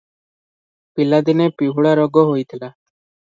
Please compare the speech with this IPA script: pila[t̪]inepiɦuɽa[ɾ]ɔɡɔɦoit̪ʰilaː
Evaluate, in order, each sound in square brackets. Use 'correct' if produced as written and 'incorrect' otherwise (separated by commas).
incorrect, correct